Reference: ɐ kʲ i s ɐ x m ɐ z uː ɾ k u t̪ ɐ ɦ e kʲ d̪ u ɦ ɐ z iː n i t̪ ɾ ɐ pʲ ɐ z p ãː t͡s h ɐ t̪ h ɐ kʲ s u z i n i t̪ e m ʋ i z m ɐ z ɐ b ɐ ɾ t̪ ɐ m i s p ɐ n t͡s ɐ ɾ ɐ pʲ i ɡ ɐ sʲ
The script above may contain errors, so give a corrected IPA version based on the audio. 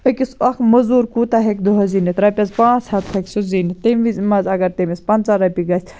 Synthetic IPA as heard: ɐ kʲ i s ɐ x m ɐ z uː ɾ k u t̪ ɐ ɦ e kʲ d̪ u ɦ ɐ z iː n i t̪ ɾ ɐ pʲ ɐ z p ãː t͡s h ɐ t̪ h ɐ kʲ s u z i n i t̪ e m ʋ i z m ɐ z ɐ ɡ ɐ ɾ t̪ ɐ m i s p ɐ n t͡s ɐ ɾ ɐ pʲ i ɡ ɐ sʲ